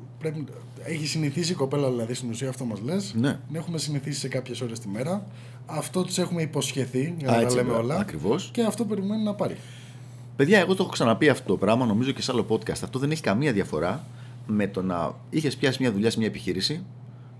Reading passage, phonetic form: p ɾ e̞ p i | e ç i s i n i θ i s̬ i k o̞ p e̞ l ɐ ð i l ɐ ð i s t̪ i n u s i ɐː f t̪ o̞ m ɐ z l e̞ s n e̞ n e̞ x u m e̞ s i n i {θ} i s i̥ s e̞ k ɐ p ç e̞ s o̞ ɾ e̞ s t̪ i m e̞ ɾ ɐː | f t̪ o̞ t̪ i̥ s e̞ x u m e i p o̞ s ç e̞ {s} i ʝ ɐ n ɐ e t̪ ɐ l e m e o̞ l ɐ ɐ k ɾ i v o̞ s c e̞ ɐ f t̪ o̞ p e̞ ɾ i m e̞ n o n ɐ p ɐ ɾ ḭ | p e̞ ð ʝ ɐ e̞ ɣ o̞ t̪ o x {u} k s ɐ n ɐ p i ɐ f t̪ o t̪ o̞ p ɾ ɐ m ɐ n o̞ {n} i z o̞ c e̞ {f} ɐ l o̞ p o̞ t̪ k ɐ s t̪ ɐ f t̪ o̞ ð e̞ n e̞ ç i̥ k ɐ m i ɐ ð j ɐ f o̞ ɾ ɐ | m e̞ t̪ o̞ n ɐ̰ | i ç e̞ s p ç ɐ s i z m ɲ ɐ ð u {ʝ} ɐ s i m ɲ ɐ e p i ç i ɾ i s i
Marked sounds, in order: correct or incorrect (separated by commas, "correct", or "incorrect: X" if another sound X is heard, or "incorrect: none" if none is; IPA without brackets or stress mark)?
correct, incorrect: θ, incorrect: o, incorrect: m, incorrect: s, incorrect: ʎ